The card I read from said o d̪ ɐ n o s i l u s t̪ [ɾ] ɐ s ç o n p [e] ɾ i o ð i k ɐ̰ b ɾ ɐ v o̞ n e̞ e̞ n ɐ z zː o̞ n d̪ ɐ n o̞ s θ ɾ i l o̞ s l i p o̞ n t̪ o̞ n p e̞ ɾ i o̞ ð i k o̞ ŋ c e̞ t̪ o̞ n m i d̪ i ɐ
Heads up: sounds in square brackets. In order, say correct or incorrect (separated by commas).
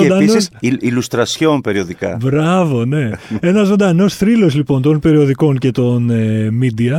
correct, correct